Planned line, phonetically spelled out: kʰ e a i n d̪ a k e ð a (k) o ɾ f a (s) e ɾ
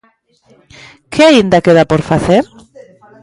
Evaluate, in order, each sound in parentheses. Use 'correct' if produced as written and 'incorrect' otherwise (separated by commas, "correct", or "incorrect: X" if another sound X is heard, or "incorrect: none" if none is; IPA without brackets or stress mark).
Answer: incorrect: p, incorrect: θ